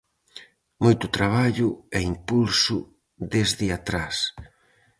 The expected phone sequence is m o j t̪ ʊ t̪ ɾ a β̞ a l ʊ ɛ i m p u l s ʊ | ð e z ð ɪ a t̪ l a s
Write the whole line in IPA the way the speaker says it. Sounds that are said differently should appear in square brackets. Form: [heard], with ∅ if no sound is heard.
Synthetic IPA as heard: m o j t̪ ʊ t̪ ɾ a β̞ a [ʎ] ʊ ɛ i m p u l s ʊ | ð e z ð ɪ a t̪ [ɾ] a s